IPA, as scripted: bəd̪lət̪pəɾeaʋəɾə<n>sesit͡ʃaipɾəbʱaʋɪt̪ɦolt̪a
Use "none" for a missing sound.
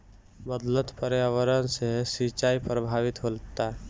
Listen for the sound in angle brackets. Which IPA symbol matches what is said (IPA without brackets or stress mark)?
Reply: n